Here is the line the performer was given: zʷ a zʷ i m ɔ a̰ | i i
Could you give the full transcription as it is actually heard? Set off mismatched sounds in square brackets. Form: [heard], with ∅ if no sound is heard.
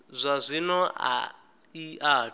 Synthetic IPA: zʷ a zʷ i [n] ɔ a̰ | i [a]